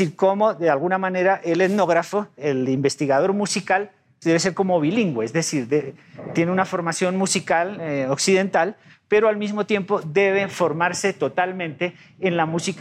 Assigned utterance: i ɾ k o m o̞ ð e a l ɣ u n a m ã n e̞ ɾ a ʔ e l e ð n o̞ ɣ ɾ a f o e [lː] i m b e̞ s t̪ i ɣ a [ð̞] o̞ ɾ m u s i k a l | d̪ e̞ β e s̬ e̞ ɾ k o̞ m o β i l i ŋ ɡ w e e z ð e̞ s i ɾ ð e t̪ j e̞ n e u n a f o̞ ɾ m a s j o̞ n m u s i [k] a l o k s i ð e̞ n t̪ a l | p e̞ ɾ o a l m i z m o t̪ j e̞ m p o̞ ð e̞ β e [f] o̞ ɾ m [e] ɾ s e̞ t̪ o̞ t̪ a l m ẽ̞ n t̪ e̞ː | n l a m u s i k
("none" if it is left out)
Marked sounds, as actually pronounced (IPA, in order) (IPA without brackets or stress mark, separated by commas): l, ð̞, k, f, a